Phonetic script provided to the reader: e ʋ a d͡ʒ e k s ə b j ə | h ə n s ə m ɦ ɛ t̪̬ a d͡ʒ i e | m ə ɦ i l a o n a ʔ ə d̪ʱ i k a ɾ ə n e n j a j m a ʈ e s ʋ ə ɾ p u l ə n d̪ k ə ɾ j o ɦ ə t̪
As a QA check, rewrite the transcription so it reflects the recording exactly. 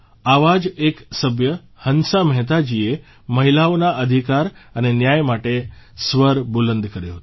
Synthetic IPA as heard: a ʋ a d͡ʒ e k s ə b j ə | h ə n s a m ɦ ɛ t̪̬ a d͡ʒ i e | m ə ɦ i l a o n a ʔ ə d̪ʱ i k a ɾ ə n e n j a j m a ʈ e s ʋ ə ɾ b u l ə n d̪ k ə ɾ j o ɦ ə t̪